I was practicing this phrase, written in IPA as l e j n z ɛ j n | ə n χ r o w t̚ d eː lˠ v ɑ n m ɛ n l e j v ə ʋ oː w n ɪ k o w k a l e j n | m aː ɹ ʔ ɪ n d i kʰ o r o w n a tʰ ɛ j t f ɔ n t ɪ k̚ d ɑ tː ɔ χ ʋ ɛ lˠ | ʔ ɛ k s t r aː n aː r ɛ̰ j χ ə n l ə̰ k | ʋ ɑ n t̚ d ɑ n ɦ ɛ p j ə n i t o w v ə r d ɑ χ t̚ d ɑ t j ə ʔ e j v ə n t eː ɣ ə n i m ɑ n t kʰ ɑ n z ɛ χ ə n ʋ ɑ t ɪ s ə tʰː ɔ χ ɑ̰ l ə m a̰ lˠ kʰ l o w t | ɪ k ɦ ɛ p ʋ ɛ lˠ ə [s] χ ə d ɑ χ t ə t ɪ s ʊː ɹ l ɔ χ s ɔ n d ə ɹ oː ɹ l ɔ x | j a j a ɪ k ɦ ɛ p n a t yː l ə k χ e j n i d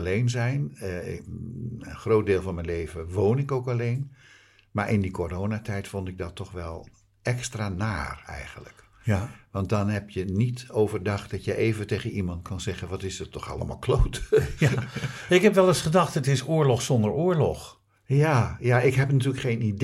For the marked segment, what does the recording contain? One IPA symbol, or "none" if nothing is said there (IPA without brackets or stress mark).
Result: s